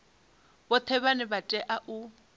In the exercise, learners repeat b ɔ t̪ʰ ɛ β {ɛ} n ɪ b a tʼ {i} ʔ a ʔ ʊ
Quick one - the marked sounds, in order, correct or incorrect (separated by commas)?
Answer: incorrect, incorrect